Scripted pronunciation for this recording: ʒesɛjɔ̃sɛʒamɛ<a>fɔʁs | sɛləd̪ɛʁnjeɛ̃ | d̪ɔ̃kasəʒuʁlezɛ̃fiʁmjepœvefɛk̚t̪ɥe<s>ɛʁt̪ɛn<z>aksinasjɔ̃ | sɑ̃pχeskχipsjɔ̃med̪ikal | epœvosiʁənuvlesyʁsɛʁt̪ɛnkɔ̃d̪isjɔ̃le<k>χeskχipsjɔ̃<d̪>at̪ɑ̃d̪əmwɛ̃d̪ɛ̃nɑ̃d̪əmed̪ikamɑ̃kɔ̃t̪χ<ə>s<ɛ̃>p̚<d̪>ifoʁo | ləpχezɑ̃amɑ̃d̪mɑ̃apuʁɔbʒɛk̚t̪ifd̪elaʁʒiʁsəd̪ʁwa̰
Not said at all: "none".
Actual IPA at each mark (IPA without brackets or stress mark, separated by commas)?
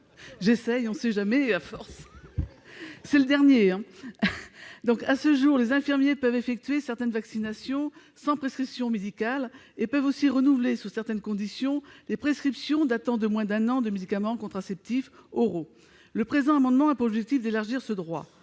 a, s, v, p, d̪, a, ɛ, t̪